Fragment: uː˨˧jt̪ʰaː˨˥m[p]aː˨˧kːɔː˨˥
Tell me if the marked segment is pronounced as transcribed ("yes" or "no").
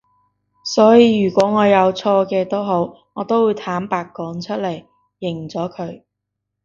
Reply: yes